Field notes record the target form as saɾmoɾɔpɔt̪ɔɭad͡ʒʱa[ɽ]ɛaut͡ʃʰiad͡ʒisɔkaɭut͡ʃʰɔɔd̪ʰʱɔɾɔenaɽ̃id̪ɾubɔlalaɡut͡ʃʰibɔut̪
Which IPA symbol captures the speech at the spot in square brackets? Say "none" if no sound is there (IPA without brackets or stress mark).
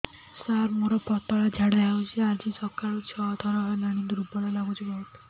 ɽ